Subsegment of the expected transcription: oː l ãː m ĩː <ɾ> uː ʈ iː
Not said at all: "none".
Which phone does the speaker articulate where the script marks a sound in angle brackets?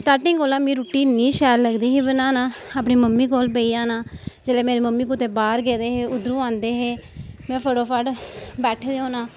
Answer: ɾ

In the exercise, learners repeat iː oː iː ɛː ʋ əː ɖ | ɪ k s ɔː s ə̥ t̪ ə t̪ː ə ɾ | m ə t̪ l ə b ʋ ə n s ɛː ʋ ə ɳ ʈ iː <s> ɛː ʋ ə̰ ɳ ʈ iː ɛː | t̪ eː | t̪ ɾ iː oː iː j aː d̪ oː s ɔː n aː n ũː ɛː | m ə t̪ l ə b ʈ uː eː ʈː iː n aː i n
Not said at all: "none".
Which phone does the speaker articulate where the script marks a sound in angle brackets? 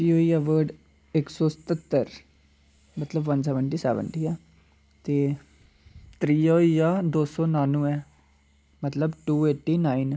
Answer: s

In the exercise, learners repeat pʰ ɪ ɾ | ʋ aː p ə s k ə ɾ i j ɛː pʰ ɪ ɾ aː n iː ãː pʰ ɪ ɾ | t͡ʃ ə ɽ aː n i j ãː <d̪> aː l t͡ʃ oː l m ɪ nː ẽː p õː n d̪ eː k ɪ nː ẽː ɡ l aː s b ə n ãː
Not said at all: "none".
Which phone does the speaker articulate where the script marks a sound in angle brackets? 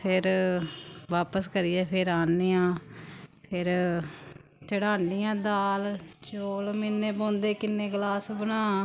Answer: d̪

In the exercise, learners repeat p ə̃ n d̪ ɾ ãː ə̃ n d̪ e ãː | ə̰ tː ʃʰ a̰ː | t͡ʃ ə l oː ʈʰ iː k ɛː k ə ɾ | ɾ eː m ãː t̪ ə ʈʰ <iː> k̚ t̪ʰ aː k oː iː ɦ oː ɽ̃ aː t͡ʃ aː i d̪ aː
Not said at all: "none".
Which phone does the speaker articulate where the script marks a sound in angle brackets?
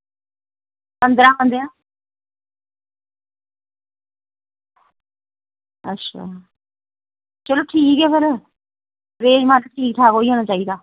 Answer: iː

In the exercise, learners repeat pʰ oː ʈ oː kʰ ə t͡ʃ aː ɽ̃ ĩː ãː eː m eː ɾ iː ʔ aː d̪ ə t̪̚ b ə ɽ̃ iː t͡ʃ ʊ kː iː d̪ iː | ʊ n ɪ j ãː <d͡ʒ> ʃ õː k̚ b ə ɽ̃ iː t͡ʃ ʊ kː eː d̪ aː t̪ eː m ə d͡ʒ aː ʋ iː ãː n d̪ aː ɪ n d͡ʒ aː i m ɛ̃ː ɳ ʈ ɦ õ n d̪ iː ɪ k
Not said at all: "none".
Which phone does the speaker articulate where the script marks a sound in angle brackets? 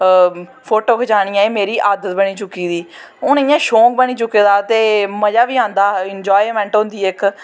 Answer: none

